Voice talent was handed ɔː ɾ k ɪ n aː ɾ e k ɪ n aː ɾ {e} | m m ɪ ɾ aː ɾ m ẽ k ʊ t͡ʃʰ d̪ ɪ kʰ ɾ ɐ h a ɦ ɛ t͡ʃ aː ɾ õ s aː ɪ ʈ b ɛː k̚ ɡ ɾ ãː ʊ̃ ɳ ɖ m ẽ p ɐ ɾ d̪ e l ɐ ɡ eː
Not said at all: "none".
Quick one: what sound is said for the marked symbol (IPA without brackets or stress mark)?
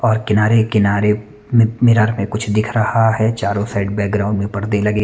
e